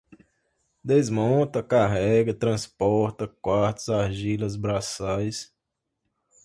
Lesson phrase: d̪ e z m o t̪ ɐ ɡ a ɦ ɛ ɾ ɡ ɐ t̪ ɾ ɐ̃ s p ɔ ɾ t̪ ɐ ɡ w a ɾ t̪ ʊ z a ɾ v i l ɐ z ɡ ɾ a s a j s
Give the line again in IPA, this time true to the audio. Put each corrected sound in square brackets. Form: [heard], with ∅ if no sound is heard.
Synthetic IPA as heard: d̪ e z m [õ] t̪ ɐ [k] a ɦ ɛ [∅] ɡ ɐ t̪ ɾ ɐ̃ s p ɔ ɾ t̪ ɐ [k] w a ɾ t̪ ʊ z a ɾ [ʒ] i l ɐ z [b] ɾ a s a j s